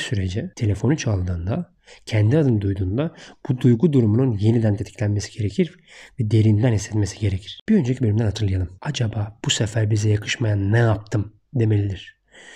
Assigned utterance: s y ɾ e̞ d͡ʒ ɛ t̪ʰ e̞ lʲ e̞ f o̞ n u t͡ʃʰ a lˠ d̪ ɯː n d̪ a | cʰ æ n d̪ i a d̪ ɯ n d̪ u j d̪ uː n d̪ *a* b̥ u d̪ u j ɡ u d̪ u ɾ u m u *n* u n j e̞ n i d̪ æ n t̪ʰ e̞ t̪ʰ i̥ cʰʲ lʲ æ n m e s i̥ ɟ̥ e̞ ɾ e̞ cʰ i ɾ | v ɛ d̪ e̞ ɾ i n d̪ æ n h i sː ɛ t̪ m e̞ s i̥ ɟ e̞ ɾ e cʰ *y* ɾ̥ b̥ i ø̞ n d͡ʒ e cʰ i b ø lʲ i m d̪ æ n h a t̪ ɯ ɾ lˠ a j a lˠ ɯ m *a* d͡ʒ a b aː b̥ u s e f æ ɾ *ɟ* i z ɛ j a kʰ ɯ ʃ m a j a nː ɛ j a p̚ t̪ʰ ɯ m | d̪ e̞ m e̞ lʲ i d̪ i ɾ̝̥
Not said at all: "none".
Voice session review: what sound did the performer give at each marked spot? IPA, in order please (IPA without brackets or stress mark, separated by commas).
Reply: a, n, i, a, b